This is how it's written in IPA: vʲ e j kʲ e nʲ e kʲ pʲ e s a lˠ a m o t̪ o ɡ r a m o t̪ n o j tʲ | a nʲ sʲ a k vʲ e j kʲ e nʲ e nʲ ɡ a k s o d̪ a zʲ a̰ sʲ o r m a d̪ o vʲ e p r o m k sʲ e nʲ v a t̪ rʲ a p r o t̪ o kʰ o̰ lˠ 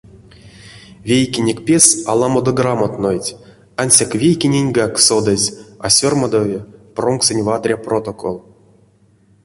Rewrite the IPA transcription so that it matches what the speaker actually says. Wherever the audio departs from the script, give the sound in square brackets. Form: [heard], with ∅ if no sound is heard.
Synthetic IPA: vʲ e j kʲ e nʲ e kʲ pʲ e s a lˠ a m o [d̪] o ɡ r a m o t̪ n o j tʲ | a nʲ sʲ a k vʲ e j kʲ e nʲ e nʲ ɡ a k s o d̪ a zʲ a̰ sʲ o r m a d̪ o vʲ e p r o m k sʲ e nʲ v a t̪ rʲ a p r o t̪ o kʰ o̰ lˠ